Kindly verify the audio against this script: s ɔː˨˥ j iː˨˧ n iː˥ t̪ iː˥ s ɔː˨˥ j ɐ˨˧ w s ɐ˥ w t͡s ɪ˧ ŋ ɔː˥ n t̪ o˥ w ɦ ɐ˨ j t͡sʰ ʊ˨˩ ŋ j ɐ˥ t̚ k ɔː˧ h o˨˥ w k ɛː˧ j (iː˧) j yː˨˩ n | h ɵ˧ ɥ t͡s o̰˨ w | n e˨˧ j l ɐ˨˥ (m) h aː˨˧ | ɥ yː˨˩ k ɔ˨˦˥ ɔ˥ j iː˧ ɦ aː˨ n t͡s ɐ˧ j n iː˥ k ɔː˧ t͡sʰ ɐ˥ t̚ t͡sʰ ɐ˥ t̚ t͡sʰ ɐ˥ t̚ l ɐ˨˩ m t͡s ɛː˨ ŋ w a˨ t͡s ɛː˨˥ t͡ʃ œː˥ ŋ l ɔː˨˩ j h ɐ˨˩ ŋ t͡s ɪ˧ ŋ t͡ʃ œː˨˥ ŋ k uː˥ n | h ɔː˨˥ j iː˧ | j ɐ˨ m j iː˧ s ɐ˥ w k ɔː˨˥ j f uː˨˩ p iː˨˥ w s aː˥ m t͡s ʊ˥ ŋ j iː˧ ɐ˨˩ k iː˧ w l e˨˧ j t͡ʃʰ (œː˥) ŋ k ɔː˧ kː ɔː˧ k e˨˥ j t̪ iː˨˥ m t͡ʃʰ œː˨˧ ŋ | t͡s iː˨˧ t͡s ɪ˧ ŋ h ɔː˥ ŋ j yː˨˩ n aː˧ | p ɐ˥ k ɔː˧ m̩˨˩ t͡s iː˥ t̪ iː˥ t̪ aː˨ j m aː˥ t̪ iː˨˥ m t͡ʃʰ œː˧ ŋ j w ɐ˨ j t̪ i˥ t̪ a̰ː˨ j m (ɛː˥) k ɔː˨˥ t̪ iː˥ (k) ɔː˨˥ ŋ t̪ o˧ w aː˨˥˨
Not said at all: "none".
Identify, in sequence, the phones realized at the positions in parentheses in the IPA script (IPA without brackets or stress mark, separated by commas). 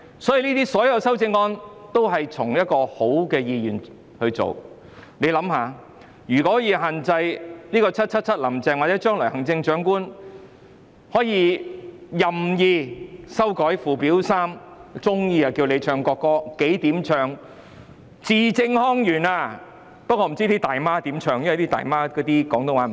iː˧, m, œː˧, aː˥, k